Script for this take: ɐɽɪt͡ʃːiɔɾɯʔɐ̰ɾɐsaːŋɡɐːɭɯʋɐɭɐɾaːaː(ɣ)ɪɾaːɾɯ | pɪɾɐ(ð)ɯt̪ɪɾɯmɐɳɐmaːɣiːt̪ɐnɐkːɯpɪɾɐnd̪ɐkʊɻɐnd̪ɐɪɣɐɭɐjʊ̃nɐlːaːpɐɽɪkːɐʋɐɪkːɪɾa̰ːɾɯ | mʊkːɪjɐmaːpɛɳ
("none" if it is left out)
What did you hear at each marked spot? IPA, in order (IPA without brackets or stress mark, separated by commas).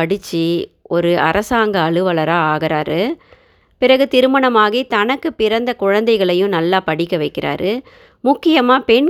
ɣ, ɣ